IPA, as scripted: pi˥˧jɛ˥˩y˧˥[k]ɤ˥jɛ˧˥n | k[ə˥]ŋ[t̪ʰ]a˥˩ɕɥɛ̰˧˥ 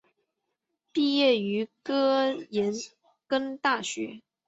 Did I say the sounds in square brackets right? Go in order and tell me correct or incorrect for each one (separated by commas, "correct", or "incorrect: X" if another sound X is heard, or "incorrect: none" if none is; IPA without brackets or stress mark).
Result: correct, correct, incorrect: t̪